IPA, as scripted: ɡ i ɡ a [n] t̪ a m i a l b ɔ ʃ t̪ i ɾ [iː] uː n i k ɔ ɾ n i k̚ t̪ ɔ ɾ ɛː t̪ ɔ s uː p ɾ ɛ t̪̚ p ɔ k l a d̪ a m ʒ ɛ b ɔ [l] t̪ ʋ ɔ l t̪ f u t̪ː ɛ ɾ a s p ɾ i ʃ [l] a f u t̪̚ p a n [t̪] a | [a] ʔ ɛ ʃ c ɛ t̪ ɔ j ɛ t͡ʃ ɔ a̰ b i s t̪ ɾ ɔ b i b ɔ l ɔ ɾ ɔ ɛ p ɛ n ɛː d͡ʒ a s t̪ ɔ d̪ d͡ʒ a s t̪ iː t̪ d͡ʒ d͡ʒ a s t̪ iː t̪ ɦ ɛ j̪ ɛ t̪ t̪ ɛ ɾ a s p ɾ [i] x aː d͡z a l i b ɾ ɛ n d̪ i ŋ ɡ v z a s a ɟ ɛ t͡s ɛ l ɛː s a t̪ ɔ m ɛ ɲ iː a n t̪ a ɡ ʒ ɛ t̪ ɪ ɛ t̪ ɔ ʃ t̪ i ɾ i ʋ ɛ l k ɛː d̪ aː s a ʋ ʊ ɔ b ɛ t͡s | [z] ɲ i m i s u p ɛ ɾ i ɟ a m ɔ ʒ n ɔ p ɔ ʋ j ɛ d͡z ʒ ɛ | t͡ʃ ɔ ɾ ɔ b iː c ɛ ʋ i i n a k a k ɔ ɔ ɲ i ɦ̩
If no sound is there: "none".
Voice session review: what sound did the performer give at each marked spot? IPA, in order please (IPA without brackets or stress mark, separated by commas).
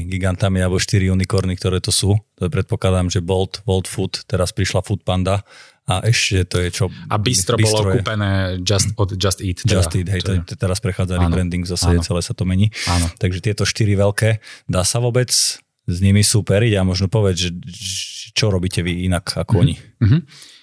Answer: n, i, l, l, d̪, a, ɛ, z